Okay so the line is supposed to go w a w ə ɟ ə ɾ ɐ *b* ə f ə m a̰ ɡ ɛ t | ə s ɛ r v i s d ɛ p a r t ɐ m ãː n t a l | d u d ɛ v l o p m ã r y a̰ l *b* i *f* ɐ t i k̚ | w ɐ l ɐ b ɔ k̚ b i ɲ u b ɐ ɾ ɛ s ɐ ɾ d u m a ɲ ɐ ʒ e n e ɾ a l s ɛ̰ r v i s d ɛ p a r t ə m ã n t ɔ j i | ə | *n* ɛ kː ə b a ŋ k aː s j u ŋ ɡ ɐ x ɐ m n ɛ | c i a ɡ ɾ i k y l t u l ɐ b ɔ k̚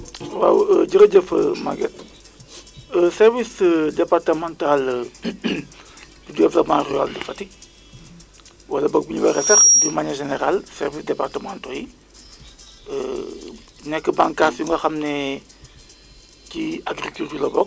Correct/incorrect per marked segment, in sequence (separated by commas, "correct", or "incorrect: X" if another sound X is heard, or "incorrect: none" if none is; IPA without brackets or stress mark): incorrect: ɟ, incorrect: d, correct, correct